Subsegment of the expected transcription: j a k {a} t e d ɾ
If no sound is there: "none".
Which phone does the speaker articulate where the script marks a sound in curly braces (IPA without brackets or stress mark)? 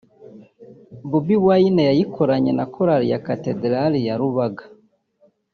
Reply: a